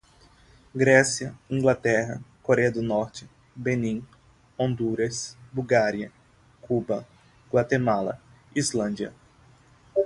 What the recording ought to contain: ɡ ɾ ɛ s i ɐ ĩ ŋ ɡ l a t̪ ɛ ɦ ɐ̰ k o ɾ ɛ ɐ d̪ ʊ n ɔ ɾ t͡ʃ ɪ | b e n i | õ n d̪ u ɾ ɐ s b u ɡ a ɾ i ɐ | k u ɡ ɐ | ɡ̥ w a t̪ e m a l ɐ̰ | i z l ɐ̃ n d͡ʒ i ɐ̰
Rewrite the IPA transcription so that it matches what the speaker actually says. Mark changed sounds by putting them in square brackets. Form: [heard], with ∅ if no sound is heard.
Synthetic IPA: ɡ ɾ ɛ s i ɐ ĩ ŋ ɡ l a t̪ ɛ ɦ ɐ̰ k o ɾ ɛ ɐ d̪ ʊ n ɔ ɾ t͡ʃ ɪ | b e n [ĩ] | õ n d̪ u ɾ ɐ s b u ɡ a ɾ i ɐ | k u [b] ɐ | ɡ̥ w a t̪ e m a l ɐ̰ | i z l ɐ̃ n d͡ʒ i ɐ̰